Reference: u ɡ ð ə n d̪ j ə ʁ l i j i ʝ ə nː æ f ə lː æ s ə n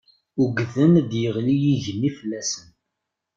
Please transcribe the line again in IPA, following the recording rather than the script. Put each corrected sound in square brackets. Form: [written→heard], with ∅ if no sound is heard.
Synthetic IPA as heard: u ɡ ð ə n d̪ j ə ʁ l i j i ʝ ə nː [æ→i] f ə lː æ s ə n